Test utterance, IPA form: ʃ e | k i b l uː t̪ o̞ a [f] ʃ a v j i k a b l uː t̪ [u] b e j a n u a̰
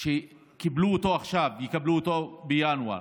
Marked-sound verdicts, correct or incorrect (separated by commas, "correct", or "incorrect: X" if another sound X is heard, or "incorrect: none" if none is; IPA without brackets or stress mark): incorrect: χ, incorrect: o